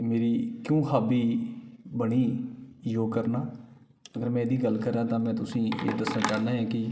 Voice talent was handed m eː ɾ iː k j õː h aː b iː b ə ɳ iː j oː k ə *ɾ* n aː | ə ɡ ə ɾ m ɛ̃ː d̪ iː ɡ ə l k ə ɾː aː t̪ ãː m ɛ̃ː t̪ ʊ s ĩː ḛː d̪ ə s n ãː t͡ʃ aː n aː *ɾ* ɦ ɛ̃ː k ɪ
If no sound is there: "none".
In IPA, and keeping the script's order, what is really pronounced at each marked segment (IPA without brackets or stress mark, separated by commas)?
ɾ, none